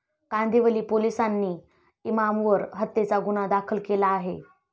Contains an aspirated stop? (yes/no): yes